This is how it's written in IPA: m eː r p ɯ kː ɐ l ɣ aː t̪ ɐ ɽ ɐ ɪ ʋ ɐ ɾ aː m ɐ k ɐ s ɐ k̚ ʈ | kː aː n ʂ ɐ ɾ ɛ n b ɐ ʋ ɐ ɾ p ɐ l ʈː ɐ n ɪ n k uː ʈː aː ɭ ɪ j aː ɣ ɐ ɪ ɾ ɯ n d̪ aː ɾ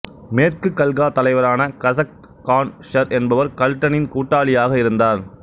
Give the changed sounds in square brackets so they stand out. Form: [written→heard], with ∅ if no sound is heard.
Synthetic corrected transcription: m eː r [p→k] ɯ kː ɐ l ɣ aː t̪ ɐ [ɽ→l] ɐ ɪ ʋ ɐ ɾ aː [m→n] ɐ k ɐ s ɐ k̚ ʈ | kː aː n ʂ ɐ ɾ ɛ n b ɐ ʋ ɐ ɾ [p→k] ɐ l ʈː ɐ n ɪ n k uː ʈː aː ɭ ɪ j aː ɣ ɐ ɪ ɾ ɯ n d̪ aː ɾ